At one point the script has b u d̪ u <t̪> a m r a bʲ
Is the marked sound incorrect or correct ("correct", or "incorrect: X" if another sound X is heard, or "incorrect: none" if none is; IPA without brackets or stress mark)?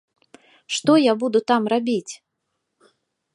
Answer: correct